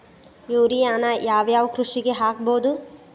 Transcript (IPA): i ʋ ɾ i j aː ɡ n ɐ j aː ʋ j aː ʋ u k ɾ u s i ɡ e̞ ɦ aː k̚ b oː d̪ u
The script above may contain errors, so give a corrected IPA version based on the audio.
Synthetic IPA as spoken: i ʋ ɾ i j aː n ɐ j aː ʋ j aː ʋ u k ɾ u ʂ i ɡ e̞ ɦ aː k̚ b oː d̪ u